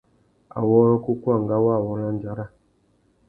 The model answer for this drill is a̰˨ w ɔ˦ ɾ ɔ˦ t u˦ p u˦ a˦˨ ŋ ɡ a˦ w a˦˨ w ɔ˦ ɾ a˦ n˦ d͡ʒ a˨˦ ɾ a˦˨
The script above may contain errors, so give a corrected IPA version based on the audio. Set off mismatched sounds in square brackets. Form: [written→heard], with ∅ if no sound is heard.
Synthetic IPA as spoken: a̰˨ w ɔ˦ ɾ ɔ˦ [t→k] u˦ [p→k] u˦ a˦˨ ŋ ɡ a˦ w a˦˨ w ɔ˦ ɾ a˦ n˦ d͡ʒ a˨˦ ɾ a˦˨